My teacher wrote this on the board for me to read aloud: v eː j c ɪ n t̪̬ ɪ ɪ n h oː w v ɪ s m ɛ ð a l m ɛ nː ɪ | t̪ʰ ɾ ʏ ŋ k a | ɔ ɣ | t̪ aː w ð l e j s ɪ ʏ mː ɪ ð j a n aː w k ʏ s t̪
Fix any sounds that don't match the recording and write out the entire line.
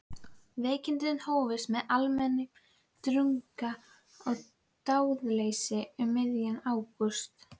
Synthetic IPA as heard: v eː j c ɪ n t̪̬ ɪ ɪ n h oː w v ɪ s m ɛ ð a l m ɛ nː ɪ | t̪ ɾ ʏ ŋ k a | ɔ ɣ | t̪ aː w ð l e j s ɪ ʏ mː ɪ ð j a n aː w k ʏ s t̪